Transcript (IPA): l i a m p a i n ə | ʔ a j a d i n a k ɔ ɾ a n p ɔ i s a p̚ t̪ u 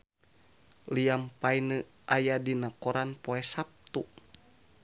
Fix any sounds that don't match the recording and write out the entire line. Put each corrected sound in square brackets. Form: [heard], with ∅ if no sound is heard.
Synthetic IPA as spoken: l i a m p a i n ə | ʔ a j a d i n a k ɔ ɾ a n p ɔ [ɛ] s a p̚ t̪ u